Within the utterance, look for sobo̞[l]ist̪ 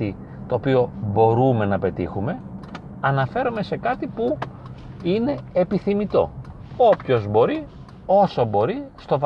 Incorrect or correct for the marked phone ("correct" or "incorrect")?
incorrect